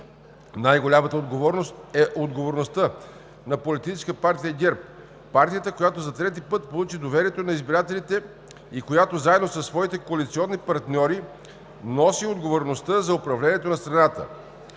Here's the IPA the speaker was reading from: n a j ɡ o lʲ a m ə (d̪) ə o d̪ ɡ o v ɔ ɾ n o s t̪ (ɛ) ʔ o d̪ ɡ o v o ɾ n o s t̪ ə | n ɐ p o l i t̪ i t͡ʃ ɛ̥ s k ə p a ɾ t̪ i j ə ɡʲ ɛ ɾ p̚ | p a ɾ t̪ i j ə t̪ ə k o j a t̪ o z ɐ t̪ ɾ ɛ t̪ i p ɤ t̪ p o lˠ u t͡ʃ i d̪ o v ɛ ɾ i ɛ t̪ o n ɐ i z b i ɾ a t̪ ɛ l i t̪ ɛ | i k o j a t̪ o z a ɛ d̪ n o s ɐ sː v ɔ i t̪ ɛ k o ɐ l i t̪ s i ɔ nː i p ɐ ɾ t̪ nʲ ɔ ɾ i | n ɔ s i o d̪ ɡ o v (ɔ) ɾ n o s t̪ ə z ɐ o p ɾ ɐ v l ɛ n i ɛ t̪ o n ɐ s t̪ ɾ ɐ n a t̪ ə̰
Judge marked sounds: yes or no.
no, yes, no

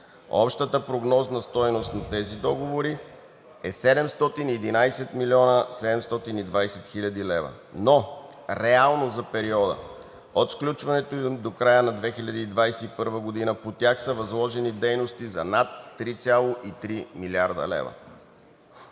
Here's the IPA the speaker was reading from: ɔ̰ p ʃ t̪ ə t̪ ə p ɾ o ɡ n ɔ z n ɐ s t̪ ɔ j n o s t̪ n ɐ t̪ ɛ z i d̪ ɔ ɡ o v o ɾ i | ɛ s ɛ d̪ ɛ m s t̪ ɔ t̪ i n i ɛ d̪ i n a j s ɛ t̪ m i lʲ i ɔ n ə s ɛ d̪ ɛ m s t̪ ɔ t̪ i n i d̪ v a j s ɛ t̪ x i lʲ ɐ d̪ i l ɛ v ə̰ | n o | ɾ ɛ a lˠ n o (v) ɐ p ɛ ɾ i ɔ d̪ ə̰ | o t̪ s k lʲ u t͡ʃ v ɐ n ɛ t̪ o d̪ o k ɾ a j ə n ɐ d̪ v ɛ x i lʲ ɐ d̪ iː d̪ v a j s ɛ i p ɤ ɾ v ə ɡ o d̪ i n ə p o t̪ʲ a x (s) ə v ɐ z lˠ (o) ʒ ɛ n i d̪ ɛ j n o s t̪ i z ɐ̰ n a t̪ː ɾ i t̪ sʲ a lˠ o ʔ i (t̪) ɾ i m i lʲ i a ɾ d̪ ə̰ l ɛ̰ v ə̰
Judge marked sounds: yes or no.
no, yes, no, yes

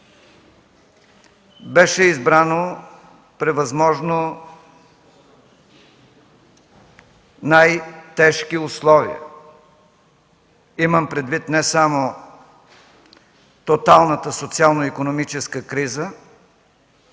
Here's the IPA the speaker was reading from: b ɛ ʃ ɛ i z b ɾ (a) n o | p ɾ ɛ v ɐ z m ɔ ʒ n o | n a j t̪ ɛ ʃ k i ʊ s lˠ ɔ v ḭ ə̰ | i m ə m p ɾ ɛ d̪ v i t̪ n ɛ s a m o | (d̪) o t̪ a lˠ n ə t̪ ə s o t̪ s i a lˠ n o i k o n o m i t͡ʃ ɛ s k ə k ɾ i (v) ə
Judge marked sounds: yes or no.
yes, no, no

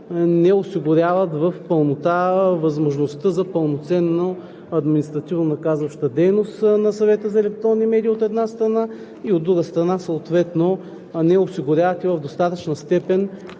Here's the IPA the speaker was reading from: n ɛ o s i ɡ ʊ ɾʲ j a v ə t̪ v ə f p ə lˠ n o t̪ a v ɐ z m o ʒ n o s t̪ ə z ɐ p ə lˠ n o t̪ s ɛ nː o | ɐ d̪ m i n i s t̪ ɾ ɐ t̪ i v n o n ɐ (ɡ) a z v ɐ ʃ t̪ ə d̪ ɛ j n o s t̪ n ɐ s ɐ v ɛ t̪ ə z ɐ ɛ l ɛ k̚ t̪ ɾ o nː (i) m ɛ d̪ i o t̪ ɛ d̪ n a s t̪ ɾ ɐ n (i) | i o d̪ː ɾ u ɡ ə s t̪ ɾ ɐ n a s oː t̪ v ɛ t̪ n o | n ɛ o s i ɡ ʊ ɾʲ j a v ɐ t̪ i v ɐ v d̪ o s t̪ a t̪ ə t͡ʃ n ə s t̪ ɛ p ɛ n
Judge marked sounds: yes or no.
no, yes, no

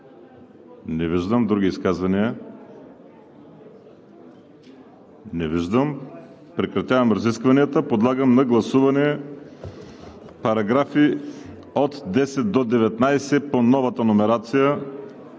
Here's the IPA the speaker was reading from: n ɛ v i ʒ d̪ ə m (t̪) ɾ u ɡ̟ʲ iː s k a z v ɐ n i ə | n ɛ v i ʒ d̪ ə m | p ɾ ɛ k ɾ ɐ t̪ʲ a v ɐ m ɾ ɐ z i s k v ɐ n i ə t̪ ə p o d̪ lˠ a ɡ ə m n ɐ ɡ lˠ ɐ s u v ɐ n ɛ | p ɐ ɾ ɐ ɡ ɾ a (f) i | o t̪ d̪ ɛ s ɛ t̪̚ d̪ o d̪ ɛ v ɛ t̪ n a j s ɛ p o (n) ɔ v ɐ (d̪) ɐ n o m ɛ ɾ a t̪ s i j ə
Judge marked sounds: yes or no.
no, yes, yes, no

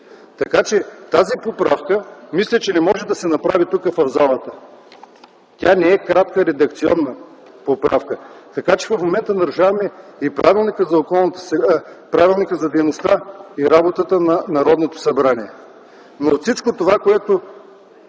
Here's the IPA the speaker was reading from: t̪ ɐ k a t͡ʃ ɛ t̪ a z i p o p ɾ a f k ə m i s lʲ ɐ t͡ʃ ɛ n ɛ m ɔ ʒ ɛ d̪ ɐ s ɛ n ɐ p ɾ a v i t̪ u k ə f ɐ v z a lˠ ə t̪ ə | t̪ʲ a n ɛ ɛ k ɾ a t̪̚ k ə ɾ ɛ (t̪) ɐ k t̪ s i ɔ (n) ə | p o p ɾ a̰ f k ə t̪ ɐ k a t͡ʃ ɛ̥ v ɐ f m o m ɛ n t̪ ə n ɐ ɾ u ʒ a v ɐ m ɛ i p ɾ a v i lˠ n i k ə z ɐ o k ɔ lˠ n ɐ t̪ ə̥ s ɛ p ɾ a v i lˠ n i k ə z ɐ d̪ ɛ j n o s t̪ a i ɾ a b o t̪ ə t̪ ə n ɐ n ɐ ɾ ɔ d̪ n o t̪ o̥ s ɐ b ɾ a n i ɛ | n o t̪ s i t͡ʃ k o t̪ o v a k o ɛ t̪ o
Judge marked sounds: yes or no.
no, no

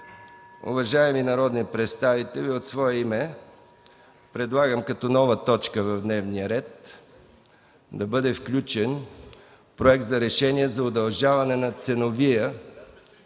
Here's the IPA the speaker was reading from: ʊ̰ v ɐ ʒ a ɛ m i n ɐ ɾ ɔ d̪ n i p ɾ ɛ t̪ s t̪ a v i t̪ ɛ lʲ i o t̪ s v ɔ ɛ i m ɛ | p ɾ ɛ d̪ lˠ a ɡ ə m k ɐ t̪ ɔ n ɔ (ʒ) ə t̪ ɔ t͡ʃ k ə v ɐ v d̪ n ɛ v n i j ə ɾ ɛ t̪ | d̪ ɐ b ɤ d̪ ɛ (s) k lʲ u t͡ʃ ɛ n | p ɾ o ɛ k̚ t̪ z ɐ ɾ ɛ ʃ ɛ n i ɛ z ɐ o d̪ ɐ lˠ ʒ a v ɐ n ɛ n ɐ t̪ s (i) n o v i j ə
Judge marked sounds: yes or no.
no, no, no

